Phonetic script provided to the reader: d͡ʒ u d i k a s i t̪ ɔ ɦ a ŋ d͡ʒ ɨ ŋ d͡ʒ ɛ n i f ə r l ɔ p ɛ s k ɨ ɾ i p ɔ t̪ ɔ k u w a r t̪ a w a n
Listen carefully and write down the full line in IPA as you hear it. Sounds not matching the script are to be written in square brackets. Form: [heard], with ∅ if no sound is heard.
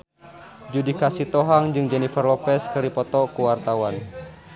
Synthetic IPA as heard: d͡ʒ u d i k a s i t̪ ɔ ɦ a ŋ d͡ʒ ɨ ŋ d͡ʒ ɛ n i f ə r l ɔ p ɛ s k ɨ ɾ i p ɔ t̪ ɔ k u w a r t̪ a w a n